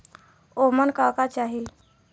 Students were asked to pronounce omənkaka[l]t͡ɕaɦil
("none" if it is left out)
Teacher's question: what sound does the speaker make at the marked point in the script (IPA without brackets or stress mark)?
none